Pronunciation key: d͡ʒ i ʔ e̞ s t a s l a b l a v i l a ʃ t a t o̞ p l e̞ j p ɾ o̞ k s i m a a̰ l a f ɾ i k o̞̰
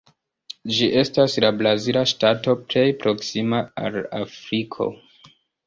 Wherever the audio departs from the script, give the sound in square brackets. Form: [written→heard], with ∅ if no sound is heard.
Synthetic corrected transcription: d͡ʒ i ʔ e̞ s t a s l a b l a [v→z] i l a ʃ t a t o̞ p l e̞ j p ɾ o̞ k s i m a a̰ l a f ɾ i [k→kʰ] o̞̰